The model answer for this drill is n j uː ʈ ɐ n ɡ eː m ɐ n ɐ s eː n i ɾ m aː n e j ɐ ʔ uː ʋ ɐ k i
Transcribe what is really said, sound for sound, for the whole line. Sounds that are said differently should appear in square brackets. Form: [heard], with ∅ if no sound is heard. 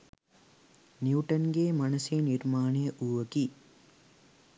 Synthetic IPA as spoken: n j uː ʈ ɐ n ɡ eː m ɐ n ɐ s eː n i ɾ m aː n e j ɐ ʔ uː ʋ ɐ k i